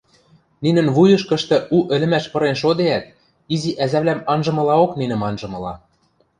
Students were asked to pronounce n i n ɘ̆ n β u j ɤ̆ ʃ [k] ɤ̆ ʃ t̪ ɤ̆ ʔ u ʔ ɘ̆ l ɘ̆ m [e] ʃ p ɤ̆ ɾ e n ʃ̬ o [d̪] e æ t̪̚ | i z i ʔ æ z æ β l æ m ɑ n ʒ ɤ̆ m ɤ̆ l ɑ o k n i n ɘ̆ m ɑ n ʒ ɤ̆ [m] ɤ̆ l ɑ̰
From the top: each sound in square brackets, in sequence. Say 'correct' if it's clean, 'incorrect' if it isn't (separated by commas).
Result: correct, incorrect, correct, correct